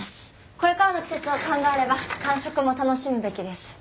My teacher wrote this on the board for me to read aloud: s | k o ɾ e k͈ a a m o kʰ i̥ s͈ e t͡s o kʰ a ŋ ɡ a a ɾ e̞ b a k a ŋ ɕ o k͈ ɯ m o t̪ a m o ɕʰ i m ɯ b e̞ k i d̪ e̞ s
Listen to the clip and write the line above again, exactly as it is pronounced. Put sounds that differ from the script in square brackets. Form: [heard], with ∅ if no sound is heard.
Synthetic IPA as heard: s | k o ɾ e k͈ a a [n] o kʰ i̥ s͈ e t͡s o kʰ a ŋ ɡ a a ɾ e̞ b a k a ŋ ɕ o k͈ ɯ m o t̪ a [n] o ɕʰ i m ɯ b e̞ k i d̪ e̞ s

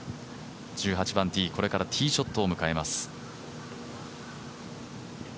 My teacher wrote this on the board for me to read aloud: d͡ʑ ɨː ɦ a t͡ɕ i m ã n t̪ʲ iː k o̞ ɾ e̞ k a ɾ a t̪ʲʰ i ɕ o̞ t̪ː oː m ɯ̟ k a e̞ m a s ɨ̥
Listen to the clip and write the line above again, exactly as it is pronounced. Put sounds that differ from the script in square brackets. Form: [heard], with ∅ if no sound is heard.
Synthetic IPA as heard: d͡ʑ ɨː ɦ a t͡ɕ i [b] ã n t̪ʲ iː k o̞ ɾ e̞ k a ɾ a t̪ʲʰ [iː] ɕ o̞ t̪ː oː m ɯ̟ k a e̞ m a s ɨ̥

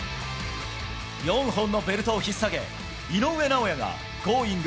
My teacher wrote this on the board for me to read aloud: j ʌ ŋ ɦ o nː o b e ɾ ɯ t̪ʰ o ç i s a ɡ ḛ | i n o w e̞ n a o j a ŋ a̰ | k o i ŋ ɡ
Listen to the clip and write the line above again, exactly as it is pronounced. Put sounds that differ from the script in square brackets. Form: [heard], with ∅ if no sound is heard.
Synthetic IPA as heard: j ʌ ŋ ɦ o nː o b e ɾ ɯ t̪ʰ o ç i s a ɡ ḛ | i n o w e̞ n a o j a ŋ a̰ | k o i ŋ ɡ

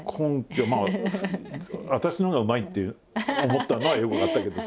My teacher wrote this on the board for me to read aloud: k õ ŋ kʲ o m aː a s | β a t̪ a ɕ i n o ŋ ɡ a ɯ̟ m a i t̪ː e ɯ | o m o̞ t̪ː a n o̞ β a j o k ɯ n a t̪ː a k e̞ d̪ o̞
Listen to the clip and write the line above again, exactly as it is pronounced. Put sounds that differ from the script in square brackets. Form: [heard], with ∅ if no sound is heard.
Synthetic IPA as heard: [kʰ] õ ŋ kʲ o m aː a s | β a t̪ a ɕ i n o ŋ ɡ a ɯ̟ m a i t̪ː e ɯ | o m o̞ t̪ː a n o̞ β a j o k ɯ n a t̪ː a k e̞ d̪ o̞

